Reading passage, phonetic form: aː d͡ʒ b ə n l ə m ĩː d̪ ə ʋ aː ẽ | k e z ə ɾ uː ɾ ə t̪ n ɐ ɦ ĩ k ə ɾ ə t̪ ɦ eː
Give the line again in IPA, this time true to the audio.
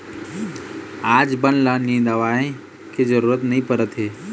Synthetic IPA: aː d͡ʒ b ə n l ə n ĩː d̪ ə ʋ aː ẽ | k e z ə ɾ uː ɾ ə t̪ n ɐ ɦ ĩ p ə ɾ ə t̪ ɦ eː

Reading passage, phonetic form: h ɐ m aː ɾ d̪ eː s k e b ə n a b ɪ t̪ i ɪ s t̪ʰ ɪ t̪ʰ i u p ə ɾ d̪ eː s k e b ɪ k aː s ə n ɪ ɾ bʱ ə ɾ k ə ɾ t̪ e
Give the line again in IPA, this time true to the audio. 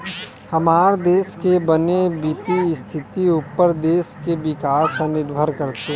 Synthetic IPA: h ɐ m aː ɾ d̪ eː s k e b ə n e b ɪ t̪ i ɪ s t̪ʰ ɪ t̪ i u p ə ɾ d̪ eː s k e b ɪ k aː s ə n ɪ ɾ bʱ ə ɾ k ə ɾ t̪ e

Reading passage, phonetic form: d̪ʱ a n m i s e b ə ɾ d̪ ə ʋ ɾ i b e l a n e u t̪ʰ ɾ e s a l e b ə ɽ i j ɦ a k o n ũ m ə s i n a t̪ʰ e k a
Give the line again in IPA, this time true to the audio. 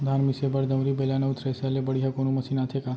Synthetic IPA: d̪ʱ a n m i s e b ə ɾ d̪ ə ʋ ɾ i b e l a n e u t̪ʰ ɾ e s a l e b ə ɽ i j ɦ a k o n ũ m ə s i n a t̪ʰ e k a

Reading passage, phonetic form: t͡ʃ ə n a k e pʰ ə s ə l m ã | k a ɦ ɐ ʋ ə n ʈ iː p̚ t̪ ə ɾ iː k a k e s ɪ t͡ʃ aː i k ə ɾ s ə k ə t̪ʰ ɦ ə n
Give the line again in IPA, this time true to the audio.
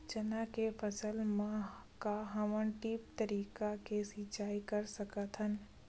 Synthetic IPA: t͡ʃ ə n a k e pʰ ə s ə l m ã | k a ɦ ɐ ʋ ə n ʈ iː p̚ t̪ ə ɾ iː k a k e s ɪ t͡ʃ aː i k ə ɾ s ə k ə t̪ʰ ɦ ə n

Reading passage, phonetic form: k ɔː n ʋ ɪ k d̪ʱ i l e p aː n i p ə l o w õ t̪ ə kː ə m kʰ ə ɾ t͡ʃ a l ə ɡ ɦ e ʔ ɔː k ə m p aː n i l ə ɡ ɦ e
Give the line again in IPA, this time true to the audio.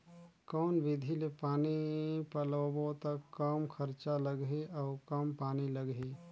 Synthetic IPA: k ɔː n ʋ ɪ d̪ʱ i l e p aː n i p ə l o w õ t̪ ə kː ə m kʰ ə ɾ t͡ʃ a l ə ɡ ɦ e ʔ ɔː k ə m p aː n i l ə ɡ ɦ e

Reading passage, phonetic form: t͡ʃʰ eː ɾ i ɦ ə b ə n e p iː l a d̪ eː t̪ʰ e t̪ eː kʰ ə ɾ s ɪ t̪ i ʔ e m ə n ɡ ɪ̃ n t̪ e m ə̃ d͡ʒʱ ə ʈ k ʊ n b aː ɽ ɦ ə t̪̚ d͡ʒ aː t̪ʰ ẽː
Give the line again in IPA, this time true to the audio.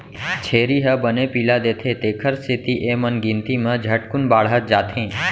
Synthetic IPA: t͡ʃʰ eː ɾ i ɦ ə b ə n e p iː l a d̪ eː t̪ʰ e t̪ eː kʰ ə ɾ s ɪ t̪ i ʔ e m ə n ɡ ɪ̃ n t̪ i m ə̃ d͡ʒʱ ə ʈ k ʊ n b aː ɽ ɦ ə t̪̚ d͡ʒ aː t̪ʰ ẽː

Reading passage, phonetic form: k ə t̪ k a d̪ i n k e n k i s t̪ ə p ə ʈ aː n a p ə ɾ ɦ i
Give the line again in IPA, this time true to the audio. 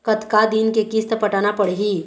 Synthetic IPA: k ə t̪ k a d̪ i n k e k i s t̪ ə p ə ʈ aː n a p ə ɽ ɦ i

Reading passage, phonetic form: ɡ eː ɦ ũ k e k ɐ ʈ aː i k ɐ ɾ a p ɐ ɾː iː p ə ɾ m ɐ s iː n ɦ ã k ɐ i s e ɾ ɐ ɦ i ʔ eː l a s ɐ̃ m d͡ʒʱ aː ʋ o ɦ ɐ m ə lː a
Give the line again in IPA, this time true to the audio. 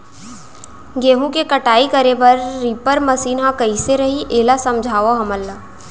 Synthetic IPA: ɡ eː ɦ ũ k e k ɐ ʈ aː i k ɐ ɾ e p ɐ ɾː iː p ə ɾ m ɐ s iː n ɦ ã k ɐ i s e ɾ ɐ ɦ i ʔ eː l a s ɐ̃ m d͡ʒʱ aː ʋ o ɦ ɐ m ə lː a

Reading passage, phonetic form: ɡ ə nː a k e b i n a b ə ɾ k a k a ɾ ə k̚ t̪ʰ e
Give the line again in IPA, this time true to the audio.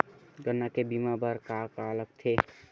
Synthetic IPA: ɡ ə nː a k e b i m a b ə ɾ k a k a l ə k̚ t̪ʰ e

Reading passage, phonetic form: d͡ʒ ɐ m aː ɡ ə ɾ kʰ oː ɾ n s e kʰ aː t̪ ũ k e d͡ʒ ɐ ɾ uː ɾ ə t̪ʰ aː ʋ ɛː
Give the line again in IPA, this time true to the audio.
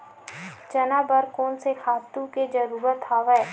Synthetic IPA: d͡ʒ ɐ n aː b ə ɾ k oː n s e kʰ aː t̪ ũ k e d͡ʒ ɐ ɾ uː ɾ ə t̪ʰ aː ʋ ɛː

